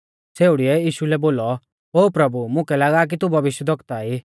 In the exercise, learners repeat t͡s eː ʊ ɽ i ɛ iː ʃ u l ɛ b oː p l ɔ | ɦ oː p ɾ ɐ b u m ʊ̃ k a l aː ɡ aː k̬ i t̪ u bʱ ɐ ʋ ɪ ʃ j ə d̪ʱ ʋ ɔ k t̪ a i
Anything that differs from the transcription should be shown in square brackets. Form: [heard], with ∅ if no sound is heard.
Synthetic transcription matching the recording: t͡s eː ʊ ɽ i ɛ iː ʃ u l ɛ b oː [∅] l ɔ | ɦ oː p ɾ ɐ b u m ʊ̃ k [ɛ] l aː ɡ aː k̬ i t̪ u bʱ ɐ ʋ ɪ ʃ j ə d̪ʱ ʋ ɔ k t̪ a i